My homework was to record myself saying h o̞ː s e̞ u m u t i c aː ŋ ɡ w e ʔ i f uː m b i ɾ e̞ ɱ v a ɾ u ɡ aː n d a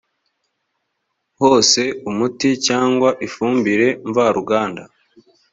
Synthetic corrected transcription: h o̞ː s e̞ u m u t i c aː ŋ ɡ w a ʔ i f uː m b i ɾ e̞ ɱ v a ɾ u ɡ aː n d a